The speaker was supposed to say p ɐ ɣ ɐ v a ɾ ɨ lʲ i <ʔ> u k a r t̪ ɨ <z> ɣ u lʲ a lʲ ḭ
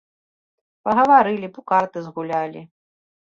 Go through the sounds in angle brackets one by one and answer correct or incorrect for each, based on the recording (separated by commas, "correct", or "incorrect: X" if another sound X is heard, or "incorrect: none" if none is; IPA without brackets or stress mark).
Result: incorrect: p, correct